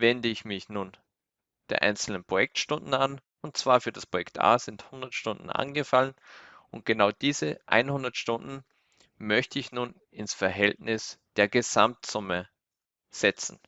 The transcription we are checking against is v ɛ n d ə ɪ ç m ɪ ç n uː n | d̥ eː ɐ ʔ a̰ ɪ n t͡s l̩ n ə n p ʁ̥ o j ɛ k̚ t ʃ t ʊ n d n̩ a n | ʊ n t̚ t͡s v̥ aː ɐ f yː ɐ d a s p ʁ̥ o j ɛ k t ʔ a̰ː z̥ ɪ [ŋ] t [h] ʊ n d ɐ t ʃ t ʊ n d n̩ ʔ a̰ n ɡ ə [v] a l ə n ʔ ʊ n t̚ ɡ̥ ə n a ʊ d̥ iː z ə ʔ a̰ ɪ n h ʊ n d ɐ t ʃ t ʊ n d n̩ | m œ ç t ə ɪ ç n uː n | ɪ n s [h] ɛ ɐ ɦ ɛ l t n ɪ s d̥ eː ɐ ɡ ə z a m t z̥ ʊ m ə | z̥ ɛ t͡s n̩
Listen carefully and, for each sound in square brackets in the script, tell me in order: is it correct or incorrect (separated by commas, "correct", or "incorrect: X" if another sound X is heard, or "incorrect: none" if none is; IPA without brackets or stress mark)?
incorrect: n, correct, incorrect: f, incorrect: f